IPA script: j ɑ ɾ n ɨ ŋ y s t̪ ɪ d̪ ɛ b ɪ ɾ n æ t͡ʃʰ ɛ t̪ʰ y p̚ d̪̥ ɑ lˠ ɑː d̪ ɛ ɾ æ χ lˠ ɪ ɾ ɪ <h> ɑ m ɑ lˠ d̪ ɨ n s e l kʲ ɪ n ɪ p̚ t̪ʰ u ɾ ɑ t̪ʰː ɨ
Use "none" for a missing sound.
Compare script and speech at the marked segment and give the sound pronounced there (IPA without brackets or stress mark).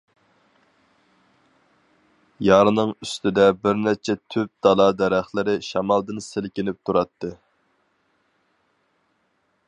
ʃ